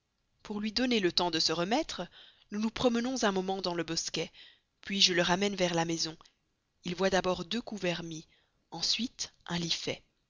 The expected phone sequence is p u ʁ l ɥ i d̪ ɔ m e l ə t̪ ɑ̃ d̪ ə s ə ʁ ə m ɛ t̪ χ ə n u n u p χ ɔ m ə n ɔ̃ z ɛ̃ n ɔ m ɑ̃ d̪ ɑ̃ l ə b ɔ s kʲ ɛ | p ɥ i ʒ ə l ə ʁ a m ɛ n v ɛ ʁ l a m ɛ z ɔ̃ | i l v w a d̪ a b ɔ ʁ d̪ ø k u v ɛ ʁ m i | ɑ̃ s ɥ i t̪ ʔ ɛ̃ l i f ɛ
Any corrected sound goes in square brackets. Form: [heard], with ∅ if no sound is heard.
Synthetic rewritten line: p u ʁ l ɥ i d̪ ɔ [n] e l ə t̪ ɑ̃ d̪ ə s ə ʁ ə m ɛ t̪ χ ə n u n u p χ ɔ m ə n ɔ̃ z ɛ̃ [m] ɔ m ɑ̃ d̪ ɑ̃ l ə b ɔ s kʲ ɛ | p ɥ i ʒ ə l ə ʁ a m ɛ n v ɛ ʁ l a m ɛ z ɔ̃ | i l v w a d̪ a b ɔ ʁ d̪ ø k u v ɛ ʁ m i | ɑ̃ s ɥ i t̪ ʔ ɛ̃ l i f ɛ